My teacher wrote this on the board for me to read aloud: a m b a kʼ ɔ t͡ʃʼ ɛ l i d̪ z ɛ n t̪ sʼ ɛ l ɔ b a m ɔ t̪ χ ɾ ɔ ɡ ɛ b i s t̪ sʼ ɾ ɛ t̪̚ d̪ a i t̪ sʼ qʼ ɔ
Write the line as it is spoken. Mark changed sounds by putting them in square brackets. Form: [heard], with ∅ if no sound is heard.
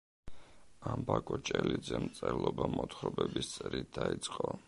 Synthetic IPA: a m b a kʼ ɔ t͡ʃʼ ɛ l i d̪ z ɛ [m] t̪ sʼ ɛ l ɔ b a m ɔ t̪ χ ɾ ɔ [b] ɛ b i s t̪ sʼ ɾ [i] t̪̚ d̪ a i t̪ sʼ qʼ ɔ